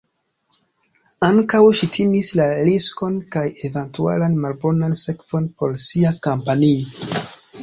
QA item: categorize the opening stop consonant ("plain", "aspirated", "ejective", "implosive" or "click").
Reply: plain